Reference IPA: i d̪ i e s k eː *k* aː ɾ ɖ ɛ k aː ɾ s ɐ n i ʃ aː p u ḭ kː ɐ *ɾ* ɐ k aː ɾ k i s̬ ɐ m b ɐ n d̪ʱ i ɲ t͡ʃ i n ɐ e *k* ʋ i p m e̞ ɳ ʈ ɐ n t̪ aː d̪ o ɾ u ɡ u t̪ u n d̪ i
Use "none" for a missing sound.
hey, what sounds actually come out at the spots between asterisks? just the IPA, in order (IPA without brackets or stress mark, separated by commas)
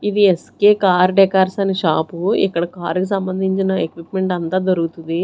k, ɽ, k